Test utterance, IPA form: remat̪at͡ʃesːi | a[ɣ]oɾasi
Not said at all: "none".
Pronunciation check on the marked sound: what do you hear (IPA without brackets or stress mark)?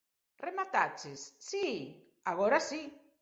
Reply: ɣ